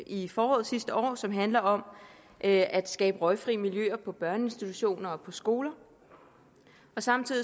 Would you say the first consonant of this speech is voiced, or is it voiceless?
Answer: voiceless